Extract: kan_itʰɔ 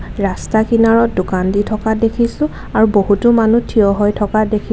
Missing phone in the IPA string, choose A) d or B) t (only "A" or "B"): A